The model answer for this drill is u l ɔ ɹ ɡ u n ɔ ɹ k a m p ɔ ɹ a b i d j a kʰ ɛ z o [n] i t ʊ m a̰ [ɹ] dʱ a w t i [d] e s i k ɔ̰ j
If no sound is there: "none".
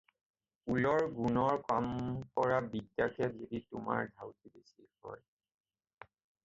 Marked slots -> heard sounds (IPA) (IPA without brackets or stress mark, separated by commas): d, ɹ, b